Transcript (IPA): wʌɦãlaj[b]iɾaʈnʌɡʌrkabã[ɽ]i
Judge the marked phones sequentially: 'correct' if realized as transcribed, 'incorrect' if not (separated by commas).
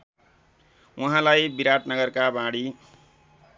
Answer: correct, correct